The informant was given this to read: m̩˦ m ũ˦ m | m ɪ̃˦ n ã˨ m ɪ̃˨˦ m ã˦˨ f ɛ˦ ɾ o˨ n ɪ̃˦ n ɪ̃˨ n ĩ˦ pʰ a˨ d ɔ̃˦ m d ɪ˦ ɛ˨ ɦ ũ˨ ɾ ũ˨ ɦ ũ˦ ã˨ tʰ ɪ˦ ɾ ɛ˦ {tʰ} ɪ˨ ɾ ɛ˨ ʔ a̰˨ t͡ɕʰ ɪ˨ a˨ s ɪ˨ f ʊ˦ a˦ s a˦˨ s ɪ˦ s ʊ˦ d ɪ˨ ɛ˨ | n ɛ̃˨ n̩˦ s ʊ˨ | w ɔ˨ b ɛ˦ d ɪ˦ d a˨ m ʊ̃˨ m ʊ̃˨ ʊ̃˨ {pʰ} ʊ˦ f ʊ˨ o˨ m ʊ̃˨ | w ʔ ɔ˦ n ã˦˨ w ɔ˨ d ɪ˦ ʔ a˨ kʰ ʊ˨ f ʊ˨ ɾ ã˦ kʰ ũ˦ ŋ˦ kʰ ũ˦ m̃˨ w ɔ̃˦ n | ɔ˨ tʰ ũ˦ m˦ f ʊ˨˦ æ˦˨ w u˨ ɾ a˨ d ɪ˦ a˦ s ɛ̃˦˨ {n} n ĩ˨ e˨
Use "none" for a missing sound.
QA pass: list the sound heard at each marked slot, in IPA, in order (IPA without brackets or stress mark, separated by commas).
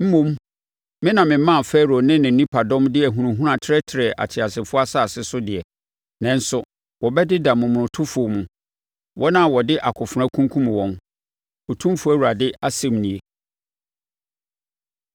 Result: tʰ, tʰ, m